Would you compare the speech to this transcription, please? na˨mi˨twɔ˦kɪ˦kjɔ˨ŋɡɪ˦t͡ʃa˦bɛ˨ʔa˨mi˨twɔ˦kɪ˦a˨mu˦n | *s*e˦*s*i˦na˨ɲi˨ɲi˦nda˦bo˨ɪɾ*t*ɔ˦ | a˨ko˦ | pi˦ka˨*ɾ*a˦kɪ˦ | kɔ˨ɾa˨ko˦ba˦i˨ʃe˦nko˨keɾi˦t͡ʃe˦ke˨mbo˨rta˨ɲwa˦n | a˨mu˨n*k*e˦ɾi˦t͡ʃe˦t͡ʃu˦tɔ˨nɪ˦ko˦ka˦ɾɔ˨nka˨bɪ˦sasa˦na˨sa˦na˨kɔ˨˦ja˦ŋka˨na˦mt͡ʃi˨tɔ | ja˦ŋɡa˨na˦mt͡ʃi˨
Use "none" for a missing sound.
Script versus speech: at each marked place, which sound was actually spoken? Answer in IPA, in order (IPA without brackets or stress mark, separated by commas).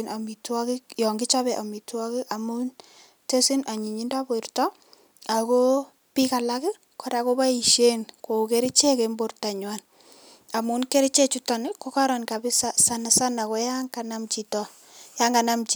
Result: t, s, t, l, k